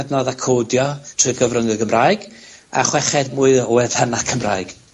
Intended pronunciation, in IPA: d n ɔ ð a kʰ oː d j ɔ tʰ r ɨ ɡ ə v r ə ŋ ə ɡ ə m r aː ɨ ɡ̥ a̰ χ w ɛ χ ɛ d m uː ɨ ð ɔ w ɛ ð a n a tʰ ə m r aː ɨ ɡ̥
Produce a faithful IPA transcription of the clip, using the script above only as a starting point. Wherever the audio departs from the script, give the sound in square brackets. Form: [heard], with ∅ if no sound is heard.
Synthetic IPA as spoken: d n ɔ ð a kʰ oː d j ɔ tʰ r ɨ ɡ ə v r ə ŋ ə ɡ ə m r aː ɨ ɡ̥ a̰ χ w ɛ χ ɛ d m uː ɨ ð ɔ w ɛ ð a n a [kʰ] ə m r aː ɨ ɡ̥